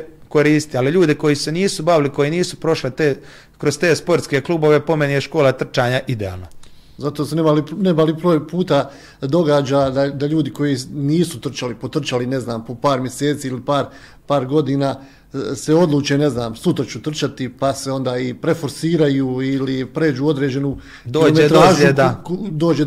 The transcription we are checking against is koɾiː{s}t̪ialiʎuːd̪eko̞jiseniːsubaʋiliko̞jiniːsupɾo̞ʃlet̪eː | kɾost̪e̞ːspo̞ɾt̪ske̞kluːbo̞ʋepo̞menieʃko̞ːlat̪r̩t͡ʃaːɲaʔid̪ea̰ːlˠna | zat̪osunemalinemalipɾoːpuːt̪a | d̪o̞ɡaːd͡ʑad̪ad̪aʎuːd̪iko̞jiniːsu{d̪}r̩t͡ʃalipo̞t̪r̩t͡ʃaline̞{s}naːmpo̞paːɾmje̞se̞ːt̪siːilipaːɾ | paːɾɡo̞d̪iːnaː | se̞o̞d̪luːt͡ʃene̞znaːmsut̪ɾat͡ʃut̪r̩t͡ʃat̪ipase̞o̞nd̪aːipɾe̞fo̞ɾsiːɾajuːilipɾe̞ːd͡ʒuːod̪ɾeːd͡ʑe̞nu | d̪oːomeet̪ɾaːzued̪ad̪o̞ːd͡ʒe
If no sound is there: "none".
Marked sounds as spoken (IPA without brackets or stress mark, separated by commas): s, t̪, z